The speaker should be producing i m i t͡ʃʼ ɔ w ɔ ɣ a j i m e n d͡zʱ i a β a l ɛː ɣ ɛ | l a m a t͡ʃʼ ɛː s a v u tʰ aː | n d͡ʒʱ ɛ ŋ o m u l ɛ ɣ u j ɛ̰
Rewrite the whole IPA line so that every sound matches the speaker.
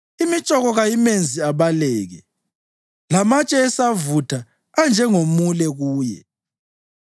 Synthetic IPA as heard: i m i t͡ʃʼ ɔ ɣ ɔ ɣ a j i m e n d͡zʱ i a β a l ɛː ɣ ɛ | l a m a t͡ʃʼ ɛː s a v u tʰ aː | n d͡ʒʱ ɛ ŋ o m u l ɛ ɣ uː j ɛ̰